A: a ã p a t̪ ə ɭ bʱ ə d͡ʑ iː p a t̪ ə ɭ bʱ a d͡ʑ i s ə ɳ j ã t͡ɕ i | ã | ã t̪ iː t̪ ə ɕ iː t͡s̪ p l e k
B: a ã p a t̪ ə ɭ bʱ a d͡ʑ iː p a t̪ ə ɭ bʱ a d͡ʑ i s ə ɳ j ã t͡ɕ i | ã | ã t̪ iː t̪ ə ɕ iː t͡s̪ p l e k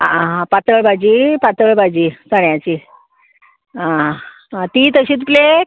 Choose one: B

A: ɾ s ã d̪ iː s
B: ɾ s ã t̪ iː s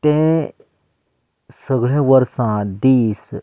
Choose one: A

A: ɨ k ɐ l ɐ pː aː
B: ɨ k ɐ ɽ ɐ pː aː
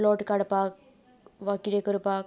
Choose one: B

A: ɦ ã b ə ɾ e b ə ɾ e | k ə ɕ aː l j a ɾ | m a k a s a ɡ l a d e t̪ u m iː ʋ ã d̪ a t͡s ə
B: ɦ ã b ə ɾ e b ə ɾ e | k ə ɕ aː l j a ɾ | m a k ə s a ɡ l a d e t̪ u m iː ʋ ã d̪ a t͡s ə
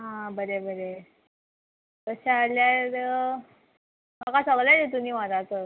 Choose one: A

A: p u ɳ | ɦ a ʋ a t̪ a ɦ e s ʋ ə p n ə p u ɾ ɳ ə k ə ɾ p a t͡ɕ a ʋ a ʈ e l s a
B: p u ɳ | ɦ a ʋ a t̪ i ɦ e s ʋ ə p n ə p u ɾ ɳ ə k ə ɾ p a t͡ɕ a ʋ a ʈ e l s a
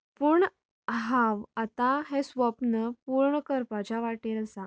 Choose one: A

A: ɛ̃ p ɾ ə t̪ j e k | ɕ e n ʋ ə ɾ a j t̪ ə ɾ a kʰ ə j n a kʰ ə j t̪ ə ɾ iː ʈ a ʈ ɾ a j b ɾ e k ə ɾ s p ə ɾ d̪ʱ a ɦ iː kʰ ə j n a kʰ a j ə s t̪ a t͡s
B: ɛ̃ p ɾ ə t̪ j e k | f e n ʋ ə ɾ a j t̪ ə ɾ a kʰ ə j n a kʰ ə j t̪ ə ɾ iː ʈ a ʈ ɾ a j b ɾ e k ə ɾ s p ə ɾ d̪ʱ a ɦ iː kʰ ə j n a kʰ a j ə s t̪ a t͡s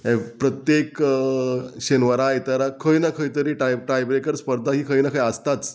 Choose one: A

